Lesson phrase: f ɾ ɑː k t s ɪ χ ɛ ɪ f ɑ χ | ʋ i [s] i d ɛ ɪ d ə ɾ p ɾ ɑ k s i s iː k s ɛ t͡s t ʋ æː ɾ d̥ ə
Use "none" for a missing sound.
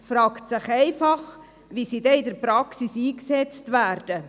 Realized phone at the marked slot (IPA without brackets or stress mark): s